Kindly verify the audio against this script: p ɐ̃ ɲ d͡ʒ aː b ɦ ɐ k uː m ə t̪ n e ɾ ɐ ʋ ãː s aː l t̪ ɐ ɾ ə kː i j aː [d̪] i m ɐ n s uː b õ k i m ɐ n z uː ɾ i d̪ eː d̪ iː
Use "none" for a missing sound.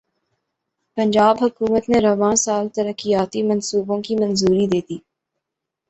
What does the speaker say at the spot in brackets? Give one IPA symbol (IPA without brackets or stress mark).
t̪